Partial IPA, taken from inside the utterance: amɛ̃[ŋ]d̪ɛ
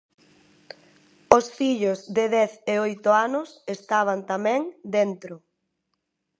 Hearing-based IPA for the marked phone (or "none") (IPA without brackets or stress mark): ŋ